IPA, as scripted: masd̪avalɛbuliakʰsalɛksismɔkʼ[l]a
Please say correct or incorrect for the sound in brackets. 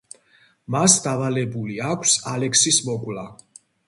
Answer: correct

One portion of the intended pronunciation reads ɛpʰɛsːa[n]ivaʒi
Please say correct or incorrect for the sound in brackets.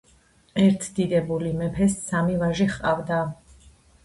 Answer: incorrect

